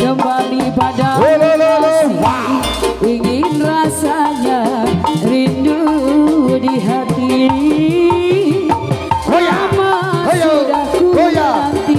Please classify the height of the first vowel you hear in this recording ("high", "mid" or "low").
mid